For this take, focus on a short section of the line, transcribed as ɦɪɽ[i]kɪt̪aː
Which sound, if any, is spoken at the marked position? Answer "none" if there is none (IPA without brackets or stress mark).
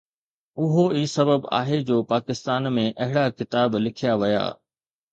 a